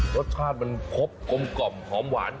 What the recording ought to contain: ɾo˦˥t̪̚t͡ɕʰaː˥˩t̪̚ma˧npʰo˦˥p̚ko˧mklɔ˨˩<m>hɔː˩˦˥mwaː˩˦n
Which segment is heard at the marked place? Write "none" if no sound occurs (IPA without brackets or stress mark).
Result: m